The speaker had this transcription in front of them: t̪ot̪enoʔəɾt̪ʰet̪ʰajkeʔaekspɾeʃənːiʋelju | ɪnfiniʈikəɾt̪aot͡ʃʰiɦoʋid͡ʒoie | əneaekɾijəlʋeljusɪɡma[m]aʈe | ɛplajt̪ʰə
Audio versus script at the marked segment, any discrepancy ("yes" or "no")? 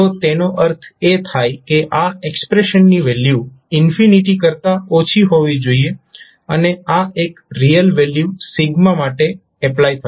no